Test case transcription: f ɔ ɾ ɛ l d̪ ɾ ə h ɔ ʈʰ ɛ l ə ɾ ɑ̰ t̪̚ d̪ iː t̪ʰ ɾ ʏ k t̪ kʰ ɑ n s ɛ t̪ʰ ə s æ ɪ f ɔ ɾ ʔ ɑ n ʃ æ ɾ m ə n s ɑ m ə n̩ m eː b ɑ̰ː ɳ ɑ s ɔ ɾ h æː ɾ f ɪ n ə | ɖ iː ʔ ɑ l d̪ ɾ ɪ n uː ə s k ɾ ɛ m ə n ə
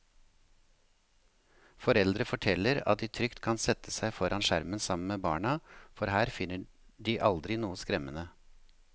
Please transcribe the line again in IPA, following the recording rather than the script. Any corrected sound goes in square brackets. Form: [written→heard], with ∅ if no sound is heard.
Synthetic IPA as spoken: f ɔ ɾ ɛ l d̪ ɾ ə [h→f] ɔ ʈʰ ɛ l ə ɾ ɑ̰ t̪̚ d̪ iː t̪ʰ ɾ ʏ k t̪ kʰ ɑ n s ɛ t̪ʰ ə s æ ɪ f ɔ ɾ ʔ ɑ n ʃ æ ɾ m ə n s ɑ m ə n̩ m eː b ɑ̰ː ɳ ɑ [s→f] ɔ ɾ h æː ɾ f ɪ n ə | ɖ iː ʔ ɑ l d̪ ɾ ɪ n uː ə s k ɾ ɛ m ə n ə